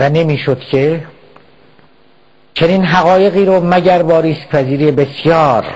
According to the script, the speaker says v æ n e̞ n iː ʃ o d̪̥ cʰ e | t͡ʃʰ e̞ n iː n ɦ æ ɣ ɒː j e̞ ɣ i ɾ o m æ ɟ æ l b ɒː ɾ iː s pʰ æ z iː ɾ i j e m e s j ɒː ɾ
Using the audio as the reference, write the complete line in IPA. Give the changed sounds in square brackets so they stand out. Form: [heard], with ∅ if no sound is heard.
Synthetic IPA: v æ n e̞ [m] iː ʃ o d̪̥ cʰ e | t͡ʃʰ e̞ n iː n ɦ æ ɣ ɒː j e̞ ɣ [iː] ɾ o m æ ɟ æ [ɾ] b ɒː ɾ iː s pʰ æ z iː ɾ i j e [b] e s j ɒː ɾ